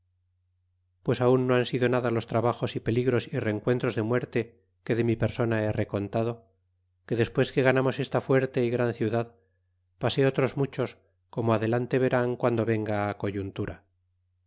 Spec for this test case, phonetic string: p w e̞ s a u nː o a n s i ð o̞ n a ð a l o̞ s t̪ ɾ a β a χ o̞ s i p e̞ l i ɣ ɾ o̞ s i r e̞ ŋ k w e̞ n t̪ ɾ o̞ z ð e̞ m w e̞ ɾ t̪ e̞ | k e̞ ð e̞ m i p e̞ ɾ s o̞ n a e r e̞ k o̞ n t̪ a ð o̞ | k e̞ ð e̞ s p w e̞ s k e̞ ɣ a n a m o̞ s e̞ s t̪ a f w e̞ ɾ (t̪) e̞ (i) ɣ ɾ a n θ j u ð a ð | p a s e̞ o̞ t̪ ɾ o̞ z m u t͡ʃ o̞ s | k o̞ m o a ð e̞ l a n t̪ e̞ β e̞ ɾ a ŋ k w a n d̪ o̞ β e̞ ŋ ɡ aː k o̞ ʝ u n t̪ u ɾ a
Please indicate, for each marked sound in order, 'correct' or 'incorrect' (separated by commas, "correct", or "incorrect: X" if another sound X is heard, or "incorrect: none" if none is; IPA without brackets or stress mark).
correct, correct